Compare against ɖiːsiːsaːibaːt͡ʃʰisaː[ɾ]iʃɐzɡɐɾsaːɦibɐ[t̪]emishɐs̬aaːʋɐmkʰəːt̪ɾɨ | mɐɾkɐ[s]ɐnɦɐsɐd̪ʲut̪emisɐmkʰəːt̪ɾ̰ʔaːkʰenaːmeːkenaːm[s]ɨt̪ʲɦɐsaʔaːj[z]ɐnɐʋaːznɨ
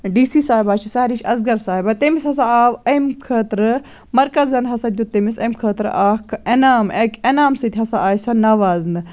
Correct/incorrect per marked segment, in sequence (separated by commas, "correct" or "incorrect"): correct, correct, incorrect, correct, incorrect